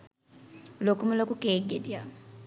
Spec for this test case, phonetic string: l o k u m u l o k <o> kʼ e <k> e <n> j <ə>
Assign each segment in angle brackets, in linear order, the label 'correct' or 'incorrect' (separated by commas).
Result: incorrect, incorrect, incorrect, incorrect